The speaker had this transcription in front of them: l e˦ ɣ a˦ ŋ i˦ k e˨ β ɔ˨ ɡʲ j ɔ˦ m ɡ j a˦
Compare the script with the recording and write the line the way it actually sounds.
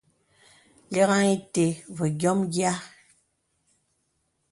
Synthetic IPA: l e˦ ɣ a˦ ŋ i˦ t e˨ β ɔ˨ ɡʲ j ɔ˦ m ɡ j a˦